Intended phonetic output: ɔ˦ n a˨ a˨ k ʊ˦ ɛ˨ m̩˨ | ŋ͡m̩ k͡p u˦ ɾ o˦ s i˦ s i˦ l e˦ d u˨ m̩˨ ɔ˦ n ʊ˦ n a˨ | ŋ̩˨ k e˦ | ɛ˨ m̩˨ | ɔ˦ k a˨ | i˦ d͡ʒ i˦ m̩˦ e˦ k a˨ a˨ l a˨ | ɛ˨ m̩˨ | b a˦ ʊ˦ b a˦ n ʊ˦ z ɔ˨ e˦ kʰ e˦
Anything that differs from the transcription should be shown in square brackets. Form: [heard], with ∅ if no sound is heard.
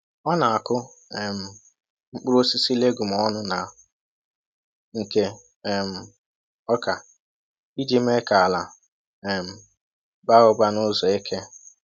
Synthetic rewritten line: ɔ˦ n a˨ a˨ k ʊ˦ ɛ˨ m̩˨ | ŋ͡m̩ k͡p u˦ ɾ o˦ s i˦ s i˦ l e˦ [ɡ] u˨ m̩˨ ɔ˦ n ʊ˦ n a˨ | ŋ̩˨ k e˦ | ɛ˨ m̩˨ | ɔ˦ k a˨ | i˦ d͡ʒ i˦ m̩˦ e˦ k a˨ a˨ l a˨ | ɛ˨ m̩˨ | b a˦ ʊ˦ b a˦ n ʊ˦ z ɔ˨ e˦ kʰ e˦